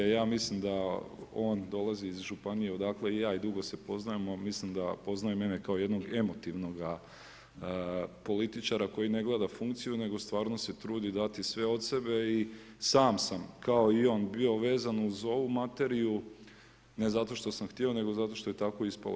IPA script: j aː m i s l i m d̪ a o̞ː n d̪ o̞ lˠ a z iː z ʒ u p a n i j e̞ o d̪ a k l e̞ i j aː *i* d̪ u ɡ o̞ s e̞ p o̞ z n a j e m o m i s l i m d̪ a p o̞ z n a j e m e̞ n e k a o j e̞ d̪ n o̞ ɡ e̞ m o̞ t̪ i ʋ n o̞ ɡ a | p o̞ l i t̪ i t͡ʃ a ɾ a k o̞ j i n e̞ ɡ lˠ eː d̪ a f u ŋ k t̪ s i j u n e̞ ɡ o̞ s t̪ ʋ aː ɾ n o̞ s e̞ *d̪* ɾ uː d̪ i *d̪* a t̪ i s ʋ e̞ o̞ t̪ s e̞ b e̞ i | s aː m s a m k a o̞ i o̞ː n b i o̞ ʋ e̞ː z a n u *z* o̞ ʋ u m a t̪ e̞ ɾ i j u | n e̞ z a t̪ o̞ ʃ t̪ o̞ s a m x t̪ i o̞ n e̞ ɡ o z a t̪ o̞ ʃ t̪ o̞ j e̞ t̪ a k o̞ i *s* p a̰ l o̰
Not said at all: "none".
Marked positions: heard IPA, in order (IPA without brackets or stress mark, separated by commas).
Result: i, t̪, d̪, z, s